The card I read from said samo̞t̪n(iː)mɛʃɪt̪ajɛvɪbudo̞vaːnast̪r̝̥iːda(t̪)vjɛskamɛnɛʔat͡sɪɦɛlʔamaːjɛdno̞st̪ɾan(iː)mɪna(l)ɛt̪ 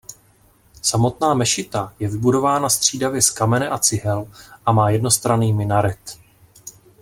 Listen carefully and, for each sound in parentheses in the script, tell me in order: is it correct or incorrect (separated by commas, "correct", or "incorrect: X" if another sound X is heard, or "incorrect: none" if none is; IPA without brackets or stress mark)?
incorrect: aː, incorrect: none, correct, incorrect: ɾ